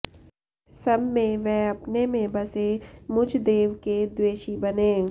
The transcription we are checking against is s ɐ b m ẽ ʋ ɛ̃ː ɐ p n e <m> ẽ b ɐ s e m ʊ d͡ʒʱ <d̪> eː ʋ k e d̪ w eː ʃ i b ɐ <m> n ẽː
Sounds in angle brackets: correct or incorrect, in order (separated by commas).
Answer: correct, correct, incorrect